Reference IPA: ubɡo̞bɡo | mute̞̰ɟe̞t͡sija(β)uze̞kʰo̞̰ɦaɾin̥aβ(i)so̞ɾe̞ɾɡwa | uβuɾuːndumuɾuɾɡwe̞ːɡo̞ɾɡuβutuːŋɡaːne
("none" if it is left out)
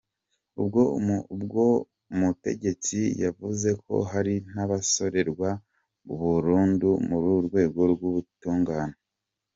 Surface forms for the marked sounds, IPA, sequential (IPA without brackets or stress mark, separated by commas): v, a